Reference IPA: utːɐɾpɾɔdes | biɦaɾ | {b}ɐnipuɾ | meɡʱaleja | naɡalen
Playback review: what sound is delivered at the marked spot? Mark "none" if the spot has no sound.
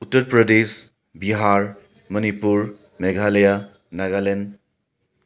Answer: m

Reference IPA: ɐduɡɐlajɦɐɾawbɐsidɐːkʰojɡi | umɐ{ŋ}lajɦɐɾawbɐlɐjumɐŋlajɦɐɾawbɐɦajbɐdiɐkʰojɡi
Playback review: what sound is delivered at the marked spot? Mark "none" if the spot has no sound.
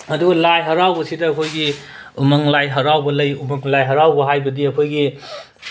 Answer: ŋ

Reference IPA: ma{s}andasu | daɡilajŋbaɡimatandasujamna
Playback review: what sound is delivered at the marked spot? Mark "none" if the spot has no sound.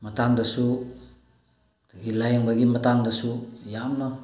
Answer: t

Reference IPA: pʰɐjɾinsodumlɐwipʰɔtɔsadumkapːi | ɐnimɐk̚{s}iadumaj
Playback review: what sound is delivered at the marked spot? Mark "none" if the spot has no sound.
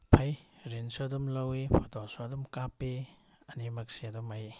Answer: s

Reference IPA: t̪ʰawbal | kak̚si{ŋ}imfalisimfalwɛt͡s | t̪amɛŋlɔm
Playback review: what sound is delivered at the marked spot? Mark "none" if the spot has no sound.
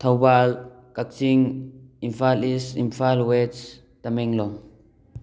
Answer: ŋ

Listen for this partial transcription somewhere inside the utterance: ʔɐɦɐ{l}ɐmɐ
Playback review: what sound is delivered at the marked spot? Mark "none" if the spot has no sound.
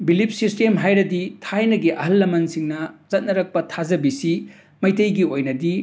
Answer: lː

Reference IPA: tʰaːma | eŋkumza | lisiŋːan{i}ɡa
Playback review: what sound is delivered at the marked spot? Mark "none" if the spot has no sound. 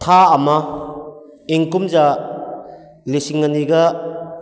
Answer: i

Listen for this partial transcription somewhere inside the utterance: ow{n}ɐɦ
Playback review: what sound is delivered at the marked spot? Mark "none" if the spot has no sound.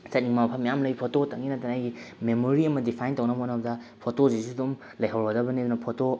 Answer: n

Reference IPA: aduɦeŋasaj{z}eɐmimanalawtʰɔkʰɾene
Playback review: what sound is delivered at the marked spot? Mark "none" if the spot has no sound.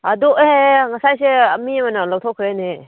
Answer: s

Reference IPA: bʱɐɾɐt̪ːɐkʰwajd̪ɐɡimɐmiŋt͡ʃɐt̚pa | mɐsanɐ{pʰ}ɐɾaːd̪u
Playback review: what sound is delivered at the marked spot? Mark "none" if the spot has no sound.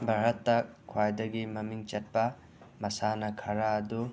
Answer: kʰ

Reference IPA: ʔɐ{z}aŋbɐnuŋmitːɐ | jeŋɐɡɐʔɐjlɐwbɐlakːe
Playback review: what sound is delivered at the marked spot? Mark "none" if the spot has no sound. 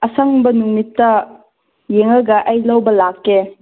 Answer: s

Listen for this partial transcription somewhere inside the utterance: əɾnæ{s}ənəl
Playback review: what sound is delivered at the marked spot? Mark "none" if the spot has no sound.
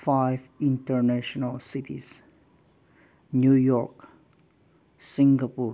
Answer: ʃ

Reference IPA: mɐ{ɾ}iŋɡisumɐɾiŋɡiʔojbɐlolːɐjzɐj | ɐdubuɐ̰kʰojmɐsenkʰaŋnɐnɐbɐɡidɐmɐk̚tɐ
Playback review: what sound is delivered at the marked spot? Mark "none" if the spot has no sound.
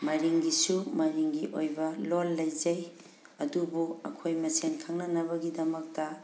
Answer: ɾ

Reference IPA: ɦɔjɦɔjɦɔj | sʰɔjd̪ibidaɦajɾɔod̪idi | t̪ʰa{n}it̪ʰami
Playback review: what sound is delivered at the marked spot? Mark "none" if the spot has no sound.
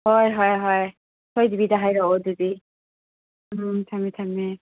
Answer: m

